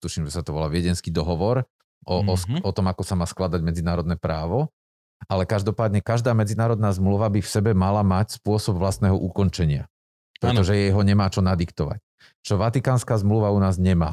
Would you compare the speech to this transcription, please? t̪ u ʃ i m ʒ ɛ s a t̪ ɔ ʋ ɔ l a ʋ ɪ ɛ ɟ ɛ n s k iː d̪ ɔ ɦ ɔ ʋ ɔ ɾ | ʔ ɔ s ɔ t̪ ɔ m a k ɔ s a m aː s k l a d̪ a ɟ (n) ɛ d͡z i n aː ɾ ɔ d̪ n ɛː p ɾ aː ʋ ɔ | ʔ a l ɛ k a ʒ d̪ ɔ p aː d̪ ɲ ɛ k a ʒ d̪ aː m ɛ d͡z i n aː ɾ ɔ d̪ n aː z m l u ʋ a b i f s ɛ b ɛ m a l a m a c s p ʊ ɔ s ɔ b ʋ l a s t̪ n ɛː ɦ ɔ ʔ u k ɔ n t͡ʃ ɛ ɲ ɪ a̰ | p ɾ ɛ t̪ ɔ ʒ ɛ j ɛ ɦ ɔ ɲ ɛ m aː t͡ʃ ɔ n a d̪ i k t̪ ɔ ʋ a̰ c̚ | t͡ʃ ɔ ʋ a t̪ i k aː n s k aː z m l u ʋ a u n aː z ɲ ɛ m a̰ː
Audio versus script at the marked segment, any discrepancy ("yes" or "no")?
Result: yes